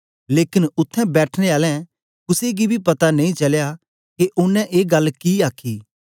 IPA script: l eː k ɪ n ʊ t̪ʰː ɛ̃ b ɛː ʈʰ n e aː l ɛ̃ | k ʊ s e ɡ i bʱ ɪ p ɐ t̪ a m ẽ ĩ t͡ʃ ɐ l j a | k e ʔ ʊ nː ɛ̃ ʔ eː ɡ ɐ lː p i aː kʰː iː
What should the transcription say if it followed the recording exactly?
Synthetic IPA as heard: l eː k ɪ n ʊ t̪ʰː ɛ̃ b ɛː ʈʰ n e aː l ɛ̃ | k ʊ s e ɡ i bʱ i p ɐ t̪ a n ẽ ĩ t͡ʃ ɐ l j a | k e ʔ ʊ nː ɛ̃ ʔ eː ɡ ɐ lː k i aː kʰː iː